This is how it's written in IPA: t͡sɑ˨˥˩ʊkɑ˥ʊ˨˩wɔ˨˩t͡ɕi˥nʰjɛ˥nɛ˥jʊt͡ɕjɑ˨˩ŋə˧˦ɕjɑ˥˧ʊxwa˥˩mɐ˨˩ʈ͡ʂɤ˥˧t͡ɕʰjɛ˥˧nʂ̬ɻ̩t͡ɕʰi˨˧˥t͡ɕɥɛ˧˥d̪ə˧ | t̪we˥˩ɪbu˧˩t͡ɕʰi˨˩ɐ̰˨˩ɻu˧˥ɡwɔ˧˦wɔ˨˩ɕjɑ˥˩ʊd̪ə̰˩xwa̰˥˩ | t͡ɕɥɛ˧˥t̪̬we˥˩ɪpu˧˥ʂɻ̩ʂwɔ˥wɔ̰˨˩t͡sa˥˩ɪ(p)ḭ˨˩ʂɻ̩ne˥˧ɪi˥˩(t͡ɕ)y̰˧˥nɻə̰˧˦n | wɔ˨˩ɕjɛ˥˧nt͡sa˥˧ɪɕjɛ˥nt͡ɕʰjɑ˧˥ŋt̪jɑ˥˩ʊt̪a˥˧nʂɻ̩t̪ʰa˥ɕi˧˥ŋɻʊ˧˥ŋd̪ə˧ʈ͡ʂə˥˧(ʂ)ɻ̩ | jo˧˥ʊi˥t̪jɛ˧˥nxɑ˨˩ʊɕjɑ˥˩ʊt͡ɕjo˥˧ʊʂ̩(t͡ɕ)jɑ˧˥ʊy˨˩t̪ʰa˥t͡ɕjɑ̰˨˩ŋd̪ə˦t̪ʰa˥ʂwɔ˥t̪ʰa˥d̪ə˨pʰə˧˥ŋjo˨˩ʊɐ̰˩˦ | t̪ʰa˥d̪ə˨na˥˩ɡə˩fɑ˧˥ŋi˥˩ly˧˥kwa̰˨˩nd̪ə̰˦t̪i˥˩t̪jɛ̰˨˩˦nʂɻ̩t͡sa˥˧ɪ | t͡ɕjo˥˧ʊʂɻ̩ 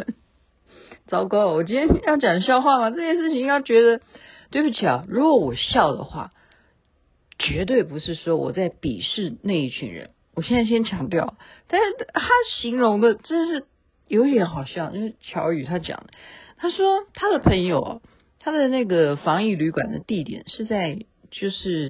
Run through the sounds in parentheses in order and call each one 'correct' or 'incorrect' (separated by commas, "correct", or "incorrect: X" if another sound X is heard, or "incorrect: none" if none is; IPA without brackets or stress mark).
correct, incorrect: t͡ɕʰ, correct, incorrect: t͡ɕʰ